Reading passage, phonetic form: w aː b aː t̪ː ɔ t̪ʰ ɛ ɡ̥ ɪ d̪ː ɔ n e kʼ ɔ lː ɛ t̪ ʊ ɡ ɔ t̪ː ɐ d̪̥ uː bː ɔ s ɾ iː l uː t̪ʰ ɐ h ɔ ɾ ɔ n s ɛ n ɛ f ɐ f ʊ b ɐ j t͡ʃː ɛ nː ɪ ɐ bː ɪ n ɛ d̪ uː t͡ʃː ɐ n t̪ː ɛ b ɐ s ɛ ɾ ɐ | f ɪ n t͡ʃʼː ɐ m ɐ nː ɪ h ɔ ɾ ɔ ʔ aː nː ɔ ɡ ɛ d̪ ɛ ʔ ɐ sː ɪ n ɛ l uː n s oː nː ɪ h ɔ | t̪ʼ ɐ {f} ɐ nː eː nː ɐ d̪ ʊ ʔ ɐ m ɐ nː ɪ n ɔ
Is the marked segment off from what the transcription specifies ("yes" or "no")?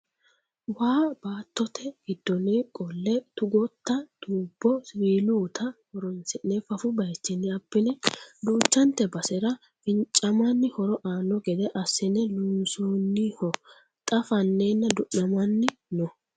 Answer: no